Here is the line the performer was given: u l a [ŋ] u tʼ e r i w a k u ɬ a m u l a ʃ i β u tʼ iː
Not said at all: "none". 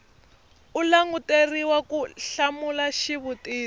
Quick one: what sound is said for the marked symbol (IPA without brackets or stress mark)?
ŋ